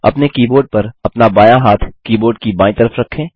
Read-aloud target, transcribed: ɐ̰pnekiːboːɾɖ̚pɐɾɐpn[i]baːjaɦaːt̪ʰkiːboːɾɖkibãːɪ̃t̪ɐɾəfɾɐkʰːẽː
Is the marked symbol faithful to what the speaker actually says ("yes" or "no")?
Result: no